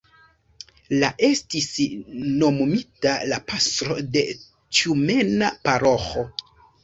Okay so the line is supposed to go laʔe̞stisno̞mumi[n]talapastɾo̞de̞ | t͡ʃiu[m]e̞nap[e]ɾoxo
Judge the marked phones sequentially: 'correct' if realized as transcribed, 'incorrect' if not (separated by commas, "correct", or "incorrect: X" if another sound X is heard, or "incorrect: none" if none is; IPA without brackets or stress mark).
incorrect: none, correct, incorrect: a